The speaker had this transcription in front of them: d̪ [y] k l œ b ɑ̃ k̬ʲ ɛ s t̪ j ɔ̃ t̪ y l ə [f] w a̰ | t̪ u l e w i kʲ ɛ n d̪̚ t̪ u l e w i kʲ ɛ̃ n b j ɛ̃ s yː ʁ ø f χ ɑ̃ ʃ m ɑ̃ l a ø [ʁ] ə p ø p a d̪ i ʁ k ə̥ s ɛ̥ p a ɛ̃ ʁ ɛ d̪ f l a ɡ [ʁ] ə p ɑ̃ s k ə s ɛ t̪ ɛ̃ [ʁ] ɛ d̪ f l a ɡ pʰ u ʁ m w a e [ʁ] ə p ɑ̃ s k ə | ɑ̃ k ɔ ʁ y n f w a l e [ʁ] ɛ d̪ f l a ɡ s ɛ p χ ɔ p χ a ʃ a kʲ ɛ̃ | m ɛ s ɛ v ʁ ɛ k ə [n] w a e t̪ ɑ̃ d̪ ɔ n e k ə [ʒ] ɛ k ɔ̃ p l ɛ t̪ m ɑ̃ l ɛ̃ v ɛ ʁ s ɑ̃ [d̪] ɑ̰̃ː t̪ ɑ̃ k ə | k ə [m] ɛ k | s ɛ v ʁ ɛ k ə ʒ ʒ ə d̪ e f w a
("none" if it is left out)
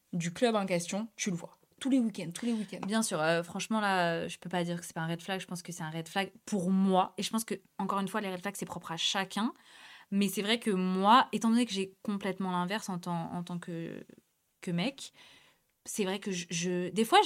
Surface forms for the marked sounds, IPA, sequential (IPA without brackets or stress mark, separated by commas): y, v, ʒ, ʒ, ʁ, ʒ, ʁ, m, ʒ, t̪, m